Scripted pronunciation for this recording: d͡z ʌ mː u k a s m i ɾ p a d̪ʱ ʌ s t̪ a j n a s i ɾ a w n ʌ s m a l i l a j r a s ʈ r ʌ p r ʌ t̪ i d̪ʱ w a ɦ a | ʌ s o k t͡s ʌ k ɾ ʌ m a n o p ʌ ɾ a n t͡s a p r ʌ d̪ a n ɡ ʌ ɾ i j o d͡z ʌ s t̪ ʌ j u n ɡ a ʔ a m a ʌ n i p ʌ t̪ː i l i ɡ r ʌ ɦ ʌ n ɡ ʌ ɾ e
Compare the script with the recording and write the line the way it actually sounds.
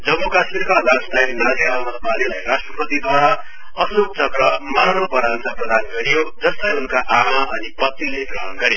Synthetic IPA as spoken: d͡z ʌ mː u k a s m i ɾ k a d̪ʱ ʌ s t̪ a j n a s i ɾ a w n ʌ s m a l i l a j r a s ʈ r ʌ p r ʌ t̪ i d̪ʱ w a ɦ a | ʌ s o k t͡s ʌ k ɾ ʌ m a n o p ʌ ɾ a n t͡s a p r ʌ d̪ a n ɡ ʌ ɾ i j o d͡z ʌ s t̪ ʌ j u n k a ʔ a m a ʌ n i p ʌ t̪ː i l e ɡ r ʌ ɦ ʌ n ɡ ʌ ɾ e